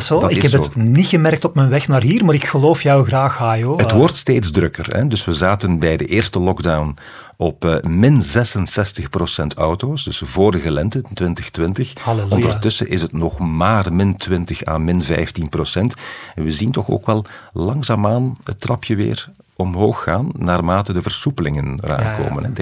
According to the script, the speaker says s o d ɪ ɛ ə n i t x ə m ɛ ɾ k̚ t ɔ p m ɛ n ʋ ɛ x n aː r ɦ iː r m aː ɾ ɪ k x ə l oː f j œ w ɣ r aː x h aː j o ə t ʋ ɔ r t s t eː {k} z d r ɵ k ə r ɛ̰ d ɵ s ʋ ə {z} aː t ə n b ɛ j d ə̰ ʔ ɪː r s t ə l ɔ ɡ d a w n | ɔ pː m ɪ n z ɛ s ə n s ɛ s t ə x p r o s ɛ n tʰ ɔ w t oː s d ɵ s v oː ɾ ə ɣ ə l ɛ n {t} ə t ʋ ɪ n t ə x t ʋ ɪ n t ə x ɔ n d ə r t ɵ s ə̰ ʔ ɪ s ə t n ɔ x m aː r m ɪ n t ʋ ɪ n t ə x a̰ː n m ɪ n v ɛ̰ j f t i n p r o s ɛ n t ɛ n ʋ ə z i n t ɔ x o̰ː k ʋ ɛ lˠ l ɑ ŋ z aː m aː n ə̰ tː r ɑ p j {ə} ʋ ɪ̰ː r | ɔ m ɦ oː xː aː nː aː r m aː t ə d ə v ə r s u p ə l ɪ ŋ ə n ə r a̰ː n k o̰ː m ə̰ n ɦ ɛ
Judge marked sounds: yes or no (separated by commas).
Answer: no, yes, yes, yes